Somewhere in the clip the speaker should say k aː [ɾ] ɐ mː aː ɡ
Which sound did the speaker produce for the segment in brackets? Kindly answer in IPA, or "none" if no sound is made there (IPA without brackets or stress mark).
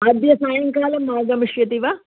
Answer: l